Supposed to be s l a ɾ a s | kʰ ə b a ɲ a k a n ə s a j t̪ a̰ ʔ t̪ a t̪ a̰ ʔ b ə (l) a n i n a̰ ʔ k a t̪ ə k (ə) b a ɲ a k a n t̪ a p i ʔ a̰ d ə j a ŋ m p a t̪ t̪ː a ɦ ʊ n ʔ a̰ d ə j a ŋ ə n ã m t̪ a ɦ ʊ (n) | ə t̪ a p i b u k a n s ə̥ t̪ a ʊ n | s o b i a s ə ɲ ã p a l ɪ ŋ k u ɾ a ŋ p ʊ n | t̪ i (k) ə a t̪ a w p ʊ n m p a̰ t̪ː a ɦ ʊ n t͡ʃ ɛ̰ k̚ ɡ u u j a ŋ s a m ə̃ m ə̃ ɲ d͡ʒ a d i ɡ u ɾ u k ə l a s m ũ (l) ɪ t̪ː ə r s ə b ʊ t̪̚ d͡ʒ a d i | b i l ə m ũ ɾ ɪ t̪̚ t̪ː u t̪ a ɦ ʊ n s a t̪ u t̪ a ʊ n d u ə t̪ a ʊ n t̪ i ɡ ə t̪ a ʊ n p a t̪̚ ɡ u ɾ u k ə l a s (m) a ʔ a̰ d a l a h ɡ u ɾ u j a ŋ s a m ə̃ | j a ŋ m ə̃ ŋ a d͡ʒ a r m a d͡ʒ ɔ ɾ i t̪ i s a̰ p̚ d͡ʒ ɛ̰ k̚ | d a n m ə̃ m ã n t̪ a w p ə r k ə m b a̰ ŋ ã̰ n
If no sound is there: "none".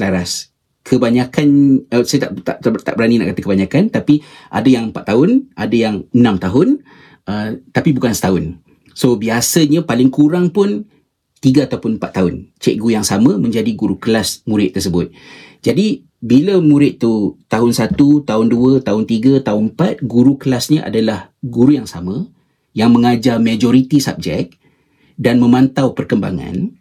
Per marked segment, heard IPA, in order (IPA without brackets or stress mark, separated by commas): ɾ, ə, n, ɡ, ɾ, ɲ